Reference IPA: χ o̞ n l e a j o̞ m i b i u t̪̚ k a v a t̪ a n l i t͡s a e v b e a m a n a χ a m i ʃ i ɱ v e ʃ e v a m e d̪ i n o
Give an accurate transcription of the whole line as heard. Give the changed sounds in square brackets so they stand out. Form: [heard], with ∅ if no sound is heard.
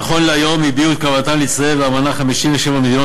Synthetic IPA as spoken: χ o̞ n l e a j o̞ m i b i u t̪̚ k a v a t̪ a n l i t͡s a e v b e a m a n a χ a m i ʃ i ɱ v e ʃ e v a m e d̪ i n o